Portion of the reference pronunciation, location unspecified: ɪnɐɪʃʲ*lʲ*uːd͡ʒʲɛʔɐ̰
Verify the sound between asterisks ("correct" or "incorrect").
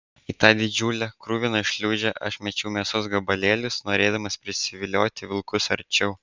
correct